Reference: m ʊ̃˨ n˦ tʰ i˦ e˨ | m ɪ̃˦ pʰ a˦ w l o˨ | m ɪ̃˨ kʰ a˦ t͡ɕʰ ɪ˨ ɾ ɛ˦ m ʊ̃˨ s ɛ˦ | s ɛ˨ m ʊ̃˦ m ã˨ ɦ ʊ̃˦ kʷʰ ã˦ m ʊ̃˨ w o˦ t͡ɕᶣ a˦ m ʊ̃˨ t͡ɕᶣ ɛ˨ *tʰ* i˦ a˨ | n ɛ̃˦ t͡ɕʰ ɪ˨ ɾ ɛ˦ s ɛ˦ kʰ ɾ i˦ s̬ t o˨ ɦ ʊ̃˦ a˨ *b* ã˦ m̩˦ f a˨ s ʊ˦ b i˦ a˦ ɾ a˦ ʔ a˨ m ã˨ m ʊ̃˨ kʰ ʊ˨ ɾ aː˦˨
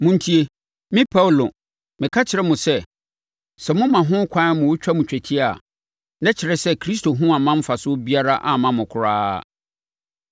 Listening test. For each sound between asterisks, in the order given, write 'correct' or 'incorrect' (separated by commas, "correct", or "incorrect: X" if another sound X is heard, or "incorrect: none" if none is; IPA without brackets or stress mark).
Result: correct, incorrect: m